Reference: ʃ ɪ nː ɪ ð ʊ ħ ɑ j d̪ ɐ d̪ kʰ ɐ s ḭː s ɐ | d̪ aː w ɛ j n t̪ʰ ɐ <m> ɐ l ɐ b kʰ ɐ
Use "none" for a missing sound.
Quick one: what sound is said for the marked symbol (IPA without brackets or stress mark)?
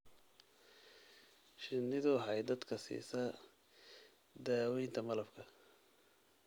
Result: m